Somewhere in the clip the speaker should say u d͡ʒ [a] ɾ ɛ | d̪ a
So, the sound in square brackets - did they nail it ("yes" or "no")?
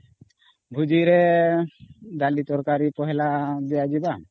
no